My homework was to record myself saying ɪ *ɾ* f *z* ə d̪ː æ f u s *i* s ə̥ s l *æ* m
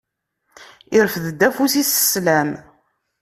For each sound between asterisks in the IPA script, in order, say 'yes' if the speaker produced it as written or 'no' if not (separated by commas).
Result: yes, no, yes, yes